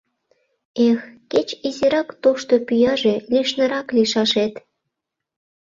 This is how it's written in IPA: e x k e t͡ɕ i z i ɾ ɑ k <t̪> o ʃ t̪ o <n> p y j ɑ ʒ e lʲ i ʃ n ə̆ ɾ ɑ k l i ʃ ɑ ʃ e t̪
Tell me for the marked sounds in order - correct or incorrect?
correct, incorrect

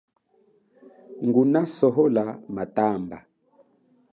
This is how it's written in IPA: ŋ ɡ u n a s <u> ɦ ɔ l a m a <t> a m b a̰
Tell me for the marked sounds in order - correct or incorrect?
incorrect, correct

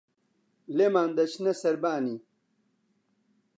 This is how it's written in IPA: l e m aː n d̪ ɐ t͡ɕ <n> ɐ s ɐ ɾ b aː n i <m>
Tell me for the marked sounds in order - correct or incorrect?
correct, incorrect

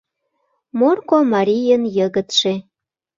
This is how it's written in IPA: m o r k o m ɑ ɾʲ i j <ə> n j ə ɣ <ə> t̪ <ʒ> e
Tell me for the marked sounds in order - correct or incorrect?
correct, correct, incorrect

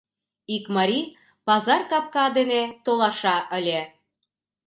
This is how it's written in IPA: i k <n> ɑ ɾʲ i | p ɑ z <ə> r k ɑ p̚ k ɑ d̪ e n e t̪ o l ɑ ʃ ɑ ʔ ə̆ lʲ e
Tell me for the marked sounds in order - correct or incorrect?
incorrect, incorrect

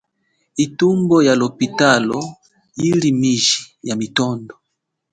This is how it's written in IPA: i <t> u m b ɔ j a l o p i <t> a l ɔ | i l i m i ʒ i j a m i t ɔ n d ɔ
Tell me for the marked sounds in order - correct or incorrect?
correct, correct

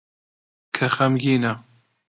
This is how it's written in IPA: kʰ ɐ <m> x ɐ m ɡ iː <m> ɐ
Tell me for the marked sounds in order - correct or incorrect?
incorrect, incorrect

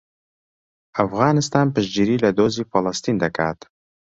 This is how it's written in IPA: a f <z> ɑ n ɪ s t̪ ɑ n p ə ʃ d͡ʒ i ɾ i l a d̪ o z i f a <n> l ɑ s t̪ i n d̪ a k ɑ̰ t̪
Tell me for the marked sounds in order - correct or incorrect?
incorrect, incorrect

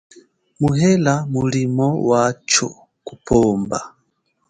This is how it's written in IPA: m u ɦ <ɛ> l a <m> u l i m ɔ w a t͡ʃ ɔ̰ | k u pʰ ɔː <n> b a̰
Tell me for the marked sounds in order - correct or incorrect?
correct, correct, incorrect

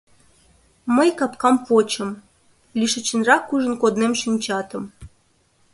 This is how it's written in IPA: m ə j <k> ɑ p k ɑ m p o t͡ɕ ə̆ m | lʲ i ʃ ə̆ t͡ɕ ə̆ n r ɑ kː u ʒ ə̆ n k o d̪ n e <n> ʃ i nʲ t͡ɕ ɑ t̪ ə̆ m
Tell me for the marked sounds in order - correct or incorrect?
correct, incorrect

